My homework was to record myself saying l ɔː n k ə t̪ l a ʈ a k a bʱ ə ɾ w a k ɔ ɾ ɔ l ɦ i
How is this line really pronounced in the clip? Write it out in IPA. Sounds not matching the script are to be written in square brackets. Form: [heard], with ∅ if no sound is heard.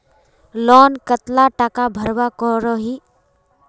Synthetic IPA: l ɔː n k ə t̪ l a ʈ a k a bʱ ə ɾ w a k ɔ ɾ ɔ [∅] ɦ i